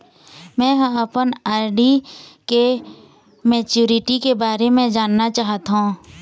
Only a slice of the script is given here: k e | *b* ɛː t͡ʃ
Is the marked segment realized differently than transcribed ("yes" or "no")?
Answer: yes